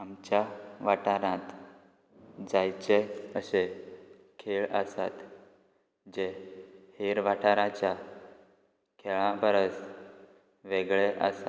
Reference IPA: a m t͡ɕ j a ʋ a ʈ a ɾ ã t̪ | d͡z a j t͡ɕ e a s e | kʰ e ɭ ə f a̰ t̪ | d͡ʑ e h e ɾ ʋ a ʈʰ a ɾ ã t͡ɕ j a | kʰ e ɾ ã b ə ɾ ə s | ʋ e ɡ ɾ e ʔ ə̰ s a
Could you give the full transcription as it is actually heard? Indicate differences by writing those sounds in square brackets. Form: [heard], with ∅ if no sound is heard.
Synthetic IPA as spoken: a m t͡ɕ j a ʋ a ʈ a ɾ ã t̪ | d͡z a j t͡ɕ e [ə] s e | kʰ e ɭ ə [s] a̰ t̪ | d͡ʑ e h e ɾ ʋ a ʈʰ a ɾ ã t͡ɕ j a | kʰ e [ɭ] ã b ə ɾ ə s | ʋ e ɡ [ɭ] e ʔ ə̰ s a